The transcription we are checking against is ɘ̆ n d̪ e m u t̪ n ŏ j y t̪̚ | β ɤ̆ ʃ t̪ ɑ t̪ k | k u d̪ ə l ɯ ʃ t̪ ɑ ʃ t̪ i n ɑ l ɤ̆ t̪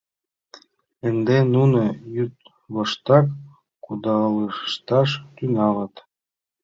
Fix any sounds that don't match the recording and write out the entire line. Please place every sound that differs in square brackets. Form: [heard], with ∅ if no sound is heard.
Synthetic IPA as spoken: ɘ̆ n d̪ e [n] u [∅] n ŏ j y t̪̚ | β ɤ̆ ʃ t̪ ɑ [∅] k | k u d̪ [ɑ] l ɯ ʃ t̪ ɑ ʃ t̪ [y] n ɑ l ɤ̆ t̪